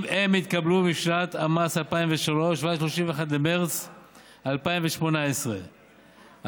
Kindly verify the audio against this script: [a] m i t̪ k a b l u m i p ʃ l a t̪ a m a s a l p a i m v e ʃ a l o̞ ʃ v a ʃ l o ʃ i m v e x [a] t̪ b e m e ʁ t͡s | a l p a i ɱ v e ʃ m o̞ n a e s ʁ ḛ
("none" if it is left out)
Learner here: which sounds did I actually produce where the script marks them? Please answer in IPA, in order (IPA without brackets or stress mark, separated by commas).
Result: e, a